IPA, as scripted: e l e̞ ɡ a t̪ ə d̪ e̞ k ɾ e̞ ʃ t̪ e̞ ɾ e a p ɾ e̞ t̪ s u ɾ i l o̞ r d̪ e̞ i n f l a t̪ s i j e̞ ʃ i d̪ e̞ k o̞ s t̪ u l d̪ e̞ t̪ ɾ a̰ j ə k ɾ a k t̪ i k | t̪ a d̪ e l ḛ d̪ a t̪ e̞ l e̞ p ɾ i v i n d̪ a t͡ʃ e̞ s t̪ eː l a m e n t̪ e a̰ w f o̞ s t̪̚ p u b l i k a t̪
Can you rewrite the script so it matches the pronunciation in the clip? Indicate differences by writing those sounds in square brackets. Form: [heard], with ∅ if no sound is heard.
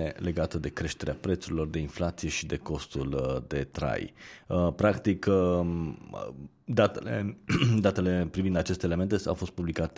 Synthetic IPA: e l e̞ ɡ a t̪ ə d̪ e̞ k ɾ e̞ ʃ t̪ e̞ ɾ e a p ɾ e̞ t̪ s u ɾ i l o̞ r d̪ e̞ i n f l a t̪ s i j e̞ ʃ i d̪ e̞ k o̞ s t̪ u l d̪ e̞ t̪ ɾ a̰ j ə [p] ɾ a k t̪ i k | [d̪] a [t̪] e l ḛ d̪ a t̪ e̞ l e̞ p ɾ i v i n d̪ a t͡ʃ e̞ s t̪ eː l [e] m e n t̪ e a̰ w f o̞ s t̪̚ p u b l i k a t̪